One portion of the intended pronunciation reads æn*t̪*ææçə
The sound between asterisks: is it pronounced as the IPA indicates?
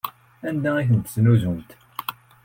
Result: no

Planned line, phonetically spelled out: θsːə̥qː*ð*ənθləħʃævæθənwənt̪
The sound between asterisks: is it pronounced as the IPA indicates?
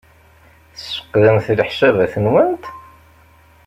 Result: yes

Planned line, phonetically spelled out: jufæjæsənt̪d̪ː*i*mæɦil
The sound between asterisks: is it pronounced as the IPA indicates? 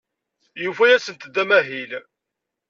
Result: no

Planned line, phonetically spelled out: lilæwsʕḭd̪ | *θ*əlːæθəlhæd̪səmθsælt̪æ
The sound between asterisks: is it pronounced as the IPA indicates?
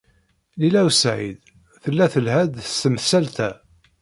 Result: yes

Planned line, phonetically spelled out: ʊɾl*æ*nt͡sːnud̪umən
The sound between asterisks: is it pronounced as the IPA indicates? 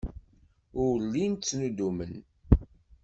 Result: no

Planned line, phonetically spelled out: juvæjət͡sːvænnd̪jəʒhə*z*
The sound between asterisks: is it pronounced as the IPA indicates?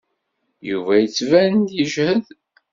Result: no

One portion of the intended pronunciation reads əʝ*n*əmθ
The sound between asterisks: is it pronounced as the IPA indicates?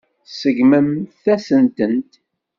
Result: no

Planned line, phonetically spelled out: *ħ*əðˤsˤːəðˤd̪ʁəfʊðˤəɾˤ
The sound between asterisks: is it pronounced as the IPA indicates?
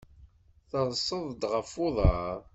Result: no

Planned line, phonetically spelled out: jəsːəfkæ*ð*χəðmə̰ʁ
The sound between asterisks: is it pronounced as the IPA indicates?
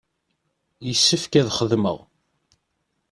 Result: yes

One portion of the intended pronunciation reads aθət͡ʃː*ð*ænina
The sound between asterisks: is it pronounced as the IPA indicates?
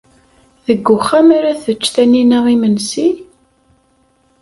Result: no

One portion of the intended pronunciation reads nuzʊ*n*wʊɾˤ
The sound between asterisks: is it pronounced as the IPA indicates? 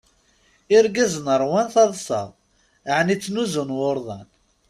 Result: yes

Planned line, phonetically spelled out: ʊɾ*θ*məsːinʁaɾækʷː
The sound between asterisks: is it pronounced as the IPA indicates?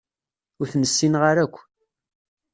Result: yes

